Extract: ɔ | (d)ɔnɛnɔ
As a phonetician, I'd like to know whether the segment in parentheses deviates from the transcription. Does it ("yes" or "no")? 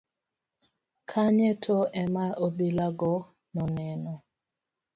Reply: yes